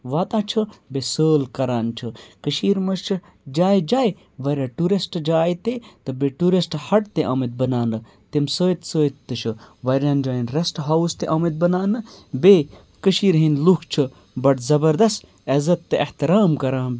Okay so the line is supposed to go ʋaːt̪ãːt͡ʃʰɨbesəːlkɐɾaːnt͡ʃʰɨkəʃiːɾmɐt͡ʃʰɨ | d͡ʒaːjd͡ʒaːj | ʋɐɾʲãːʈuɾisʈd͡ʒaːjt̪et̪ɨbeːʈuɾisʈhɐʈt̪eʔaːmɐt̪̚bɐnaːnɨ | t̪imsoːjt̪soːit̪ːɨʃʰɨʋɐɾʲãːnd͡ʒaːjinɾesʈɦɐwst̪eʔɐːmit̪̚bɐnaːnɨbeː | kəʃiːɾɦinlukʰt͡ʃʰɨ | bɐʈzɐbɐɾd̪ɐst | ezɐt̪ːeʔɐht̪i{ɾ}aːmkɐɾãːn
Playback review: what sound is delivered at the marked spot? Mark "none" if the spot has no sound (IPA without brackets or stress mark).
ɾ